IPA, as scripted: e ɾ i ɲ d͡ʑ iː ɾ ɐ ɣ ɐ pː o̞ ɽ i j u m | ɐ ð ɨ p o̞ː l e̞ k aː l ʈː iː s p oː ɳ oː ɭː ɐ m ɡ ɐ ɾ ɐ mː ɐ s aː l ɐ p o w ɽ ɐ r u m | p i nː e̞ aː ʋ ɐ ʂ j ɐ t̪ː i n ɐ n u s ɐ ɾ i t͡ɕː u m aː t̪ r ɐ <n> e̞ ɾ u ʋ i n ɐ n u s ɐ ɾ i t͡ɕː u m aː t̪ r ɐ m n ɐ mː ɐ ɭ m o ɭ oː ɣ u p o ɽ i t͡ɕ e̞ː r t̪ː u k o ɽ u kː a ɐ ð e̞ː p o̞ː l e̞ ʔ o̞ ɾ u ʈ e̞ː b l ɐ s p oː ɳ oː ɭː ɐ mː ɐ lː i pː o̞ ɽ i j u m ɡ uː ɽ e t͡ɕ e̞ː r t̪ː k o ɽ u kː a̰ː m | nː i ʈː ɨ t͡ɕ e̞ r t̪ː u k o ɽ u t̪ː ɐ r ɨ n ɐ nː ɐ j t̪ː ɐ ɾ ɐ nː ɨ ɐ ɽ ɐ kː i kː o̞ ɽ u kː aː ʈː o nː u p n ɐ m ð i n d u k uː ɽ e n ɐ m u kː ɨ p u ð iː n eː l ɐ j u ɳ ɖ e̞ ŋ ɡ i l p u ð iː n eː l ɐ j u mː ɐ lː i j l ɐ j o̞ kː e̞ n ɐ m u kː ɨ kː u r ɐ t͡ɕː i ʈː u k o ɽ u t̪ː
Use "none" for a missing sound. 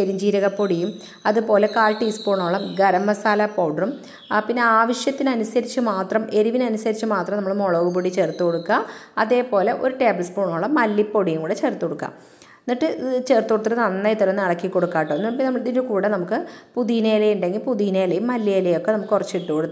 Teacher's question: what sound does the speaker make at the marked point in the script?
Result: m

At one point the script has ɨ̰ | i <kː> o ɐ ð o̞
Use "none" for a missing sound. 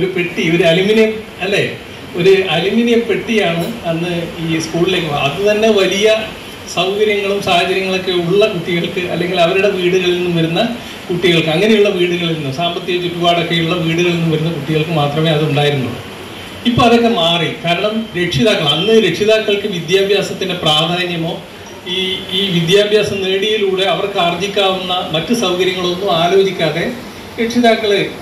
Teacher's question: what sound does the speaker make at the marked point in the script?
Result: pː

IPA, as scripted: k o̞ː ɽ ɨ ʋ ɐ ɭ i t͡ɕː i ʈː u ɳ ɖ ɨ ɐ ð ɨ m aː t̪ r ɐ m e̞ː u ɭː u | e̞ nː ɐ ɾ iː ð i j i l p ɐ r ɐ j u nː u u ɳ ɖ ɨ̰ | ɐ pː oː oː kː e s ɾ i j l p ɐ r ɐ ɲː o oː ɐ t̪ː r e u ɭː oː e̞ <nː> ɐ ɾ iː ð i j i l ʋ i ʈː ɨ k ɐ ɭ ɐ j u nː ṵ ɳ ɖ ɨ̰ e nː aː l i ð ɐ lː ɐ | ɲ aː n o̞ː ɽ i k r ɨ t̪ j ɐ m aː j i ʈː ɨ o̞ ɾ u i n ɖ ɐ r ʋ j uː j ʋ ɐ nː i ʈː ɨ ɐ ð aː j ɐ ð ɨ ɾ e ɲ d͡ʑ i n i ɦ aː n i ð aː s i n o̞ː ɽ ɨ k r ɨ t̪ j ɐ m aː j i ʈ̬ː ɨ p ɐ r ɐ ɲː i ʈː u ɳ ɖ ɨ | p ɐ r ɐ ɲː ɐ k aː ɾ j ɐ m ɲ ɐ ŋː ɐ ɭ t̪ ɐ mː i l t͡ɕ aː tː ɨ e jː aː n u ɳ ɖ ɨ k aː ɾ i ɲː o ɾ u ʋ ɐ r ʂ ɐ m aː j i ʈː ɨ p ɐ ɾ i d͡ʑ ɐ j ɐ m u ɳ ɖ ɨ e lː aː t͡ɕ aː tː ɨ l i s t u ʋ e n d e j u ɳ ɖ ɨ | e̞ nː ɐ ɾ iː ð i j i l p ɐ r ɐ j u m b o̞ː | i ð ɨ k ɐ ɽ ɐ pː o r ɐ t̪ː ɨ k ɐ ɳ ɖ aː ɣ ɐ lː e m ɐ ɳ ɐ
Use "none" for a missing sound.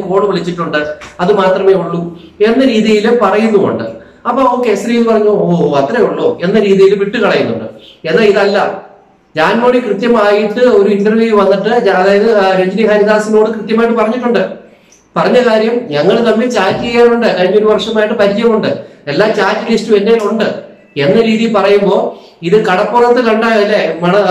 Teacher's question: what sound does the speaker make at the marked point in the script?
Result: nː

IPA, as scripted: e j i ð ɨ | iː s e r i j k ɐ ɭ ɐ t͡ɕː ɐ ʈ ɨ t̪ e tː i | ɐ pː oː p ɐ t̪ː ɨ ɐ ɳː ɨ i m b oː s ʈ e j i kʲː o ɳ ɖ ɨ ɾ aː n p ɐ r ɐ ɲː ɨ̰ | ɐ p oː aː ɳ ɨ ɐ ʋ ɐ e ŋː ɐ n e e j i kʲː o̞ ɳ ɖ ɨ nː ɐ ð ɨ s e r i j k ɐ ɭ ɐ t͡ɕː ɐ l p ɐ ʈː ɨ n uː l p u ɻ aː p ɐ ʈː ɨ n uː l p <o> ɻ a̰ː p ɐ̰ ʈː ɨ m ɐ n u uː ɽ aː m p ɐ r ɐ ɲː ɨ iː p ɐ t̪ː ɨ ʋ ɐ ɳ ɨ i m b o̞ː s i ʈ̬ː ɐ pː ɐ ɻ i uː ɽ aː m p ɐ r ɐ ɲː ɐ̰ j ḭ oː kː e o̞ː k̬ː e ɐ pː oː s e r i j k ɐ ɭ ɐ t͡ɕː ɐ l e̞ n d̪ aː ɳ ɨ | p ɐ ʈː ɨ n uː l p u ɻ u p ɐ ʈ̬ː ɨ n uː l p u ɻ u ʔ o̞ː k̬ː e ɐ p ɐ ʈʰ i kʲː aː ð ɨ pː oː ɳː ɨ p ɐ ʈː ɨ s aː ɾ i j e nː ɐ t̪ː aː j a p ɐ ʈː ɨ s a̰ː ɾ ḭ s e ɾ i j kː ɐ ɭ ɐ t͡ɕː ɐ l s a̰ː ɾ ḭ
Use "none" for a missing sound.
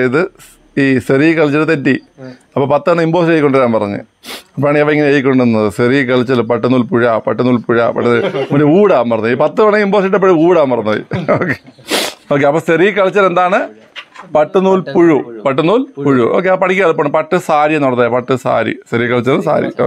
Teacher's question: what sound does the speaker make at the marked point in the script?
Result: u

